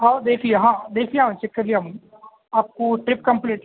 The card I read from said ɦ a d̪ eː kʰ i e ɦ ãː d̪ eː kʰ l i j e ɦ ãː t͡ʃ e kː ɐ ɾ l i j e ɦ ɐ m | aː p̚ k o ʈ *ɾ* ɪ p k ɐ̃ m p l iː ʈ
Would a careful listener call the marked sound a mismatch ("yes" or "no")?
no